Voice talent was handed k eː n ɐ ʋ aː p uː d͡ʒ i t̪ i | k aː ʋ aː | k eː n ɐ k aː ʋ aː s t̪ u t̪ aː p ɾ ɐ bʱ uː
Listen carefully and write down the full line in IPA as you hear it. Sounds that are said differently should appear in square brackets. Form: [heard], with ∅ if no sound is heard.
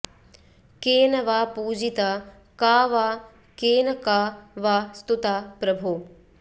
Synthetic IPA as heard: k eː n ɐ ʋ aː p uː d͡ʒ i t̪ [a] | k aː ʋ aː | k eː n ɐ k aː ʋ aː s t̪ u t̪ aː p ɾ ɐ bʱ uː